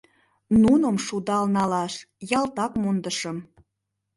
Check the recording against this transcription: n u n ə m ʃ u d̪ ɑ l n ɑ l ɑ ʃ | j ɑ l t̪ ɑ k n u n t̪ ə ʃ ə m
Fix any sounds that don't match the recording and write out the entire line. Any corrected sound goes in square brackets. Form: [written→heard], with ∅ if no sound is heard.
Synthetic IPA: n u n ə m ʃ u d̪ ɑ l n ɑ l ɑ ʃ | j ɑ l t̪ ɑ k [n→m] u n [t̪→d̪] ə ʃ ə m